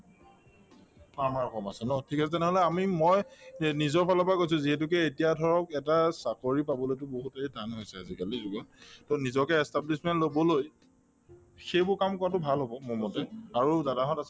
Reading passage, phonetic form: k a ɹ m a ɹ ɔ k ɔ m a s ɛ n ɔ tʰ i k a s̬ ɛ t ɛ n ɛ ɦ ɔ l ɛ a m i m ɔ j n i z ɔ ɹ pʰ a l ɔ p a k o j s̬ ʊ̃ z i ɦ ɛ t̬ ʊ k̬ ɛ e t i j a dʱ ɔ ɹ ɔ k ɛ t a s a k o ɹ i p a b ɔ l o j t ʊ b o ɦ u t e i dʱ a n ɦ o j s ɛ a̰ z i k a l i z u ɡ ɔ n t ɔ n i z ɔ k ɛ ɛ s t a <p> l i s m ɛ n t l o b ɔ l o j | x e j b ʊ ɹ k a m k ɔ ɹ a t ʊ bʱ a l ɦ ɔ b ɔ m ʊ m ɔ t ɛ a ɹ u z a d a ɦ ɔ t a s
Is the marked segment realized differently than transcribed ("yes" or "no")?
yes